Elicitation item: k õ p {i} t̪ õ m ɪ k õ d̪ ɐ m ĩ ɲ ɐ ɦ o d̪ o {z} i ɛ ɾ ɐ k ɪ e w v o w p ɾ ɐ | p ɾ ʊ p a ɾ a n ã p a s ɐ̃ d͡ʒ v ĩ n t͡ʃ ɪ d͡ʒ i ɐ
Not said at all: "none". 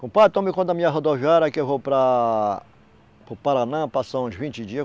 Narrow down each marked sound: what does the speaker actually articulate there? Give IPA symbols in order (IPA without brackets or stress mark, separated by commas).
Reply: a, v